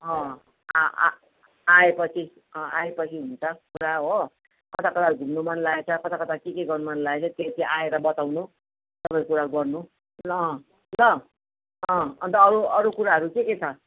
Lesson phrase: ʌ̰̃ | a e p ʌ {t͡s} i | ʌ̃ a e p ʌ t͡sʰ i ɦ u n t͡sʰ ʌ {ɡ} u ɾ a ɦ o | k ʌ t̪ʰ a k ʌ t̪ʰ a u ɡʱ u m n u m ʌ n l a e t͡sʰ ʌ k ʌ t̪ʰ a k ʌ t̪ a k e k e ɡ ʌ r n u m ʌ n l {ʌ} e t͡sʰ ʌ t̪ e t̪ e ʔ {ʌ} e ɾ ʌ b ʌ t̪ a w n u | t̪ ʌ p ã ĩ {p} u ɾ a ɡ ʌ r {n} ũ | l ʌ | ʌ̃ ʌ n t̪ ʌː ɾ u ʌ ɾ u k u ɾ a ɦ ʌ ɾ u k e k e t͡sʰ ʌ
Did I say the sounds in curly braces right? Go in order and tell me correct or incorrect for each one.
incorrect, incorrect, incorrect, incorrect, incorrect, correct

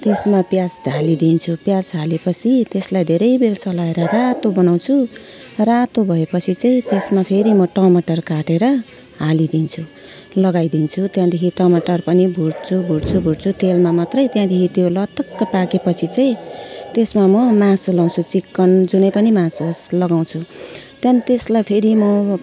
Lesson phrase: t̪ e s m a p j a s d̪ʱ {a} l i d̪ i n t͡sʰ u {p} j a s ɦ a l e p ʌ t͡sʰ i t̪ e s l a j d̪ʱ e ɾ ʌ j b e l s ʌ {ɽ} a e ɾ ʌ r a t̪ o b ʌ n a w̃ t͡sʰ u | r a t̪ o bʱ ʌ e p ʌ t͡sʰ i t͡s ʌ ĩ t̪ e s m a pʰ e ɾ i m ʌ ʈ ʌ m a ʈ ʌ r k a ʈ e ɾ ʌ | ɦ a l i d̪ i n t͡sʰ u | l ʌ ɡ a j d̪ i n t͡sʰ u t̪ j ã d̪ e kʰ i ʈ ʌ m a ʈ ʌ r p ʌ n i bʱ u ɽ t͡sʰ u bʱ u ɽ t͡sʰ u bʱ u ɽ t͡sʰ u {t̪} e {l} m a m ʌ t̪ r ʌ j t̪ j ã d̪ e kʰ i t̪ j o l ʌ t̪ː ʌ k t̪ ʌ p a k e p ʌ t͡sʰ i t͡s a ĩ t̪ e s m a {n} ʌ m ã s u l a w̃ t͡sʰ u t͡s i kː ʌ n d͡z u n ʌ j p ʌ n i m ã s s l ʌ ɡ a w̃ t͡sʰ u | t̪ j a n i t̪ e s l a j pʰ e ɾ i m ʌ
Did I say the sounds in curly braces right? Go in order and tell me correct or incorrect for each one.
correct, correct, incorrect, correct, correct, incorrect

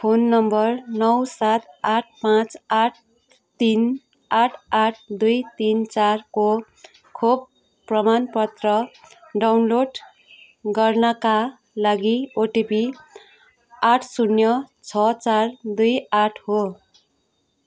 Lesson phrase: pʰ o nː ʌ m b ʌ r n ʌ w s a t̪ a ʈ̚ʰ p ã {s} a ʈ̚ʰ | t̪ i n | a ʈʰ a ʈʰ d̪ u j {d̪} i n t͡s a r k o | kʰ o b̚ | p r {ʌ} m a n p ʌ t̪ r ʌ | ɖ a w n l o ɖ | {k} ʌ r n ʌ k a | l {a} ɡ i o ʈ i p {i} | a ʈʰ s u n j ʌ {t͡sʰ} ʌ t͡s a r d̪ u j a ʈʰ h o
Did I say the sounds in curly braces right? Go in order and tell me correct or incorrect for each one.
incorrect, incorrect, correct, incorrect, correct, correct, correct

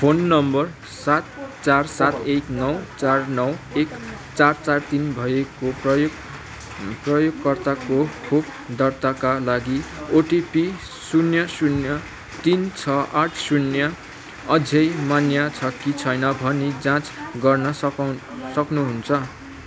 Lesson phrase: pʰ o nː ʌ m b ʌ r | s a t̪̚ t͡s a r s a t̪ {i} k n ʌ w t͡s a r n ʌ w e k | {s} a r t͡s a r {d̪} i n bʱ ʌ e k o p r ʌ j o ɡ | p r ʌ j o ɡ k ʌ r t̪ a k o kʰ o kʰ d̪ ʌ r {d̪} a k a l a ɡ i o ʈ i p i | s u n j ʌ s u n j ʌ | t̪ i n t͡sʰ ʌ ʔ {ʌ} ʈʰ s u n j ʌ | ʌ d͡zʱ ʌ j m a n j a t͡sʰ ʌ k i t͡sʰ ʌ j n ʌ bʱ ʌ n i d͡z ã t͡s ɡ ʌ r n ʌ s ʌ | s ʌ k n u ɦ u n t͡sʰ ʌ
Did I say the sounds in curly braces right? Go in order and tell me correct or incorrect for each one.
incorrect, incorrect, incorrect, incorrect, incorrect

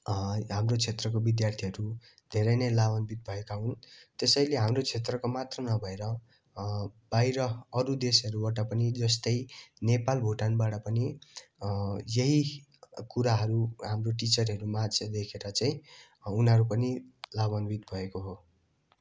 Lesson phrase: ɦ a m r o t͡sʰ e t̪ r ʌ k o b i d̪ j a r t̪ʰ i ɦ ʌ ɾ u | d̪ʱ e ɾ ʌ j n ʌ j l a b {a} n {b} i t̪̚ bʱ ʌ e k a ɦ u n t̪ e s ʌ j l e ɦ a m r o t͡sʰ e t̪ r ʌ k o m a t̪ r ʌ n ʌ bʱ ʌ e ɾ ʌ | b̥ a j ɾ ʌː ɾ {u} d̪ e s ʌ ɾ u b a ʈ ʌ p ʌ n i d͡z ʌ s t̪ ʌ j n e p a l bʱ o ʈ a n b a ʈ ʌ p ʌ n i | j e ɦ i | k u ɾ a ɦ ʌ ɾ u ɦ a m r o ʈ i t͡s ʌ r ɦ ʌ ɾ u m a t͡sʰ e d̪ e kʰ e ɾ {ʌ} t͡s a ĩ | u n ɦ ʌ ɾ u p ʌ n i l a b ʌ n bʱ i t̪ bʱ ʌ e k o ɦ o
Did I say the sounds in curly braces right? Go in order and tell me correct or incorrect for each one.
incorrect, correct, correct, correct

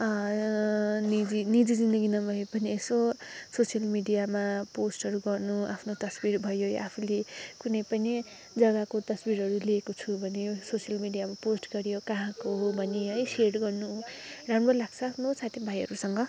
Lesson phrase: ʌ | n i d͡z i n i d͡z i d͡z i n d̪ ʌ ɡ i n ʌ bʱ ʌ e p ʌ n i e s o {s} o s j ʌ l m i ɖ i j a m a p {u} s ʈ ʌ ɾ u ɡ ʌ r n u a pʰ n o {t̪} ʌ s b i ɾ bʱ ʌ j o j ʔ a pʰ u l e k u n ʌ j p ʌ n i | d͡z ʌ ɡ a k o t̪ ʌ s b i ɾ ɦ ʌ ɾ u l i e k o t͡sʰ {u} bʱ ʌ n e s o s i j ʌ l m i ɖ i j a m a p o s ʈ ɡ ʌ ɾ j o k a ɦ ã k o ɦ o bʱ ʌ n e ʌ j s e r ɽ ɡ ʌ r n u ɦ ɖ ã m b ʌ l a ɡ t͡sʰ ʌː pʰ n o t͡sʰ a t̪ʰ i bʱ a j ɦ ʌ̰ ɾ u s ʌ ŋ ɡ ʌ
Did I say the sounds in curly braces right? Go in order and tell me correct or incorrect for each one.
correct, incorrect, correct, correct

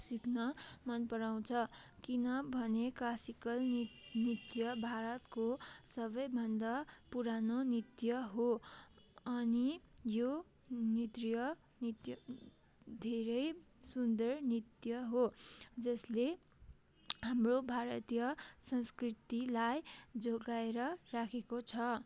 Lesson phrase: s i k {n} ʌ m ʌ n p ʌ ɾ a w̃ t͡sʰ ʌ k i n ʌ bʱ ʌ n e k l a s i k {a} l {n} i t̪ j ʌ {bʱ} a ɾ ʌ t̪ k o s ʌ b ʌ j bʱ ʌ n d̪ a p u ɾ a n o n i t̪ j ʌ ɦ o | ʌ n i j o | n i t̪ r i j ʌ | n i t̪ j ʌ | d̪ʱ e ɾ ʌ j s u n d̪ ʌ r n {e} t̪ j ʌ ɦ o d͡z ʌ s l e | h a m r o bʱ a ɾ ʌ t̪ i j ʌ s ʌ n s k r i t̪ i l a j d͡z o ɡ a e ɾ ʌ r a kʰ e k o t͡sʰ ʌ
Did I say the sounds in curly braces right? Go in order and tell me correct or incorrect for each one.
correct, incorrect, correct, correct, incorrect

